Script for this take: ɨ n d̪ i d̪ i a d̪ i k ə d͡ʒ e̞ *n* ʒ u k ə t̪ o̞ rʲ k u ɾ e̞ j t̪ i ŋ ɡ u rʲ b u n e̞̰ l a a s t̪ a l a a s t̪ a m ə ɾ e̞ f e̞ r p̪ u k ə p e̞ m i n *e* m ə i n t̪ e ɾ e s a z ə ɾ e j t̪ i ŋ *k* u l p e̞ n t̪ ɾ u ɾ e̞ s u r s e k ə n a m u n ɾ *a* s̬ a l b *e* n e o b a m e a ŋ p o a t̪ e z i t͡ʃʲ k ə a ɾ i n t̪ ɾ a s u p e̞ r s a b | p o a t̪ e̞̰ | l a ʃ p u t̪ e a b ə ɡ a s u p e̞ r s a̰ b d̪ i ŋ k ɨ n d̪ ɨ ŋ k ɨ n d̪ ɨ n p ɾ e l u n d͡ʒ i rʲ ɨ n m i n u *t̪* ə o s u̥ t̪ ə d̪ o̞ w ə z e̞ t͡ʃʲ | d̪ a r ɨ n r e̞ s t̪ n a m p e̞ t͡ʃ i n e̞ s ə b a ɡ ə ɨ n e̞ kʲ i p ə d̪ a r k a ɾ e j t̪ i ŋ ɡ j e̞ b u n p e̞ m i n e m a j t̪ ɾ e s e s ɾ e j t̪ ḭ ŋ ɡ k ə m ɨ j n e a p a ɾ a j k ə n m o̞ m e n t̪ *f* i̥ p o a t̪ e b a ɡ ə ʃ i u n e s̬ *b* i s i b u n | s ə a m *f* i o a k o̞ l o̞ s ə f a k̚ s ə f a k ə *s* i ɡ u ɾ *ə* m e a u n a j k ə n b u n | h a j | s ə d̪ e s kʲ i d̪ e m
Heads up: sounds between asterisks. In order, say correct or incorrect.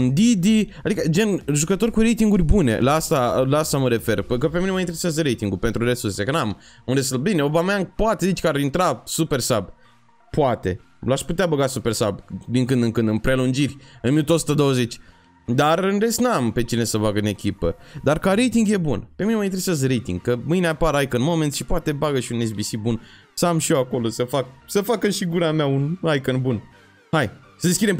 correct, correct, incorrect: ɡ, incorrect: e, incorrect: i, correct, incorrect: ʃ, correct, incorrect: ʃ, incorrect: ʃ, incorrect: a

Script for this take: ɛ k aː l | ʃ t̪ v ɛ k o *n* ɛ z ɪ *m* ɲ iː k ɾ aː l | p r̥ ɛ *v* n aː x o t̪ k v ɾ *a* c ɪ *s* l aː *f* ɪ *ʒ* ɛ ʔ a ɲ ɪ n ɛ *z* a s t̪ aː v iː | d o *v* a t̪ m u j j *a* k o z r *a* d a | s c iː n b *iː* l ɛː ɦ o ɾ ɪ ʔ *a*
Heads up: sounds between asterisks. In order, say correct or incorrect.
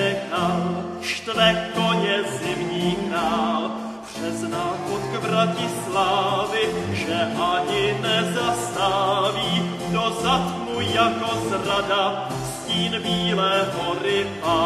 incorrect: ɲ, correct, incorrect: z, correct, correct, incorrect: v, correct, correct, incorrect: z, correct, correct, correct, correct

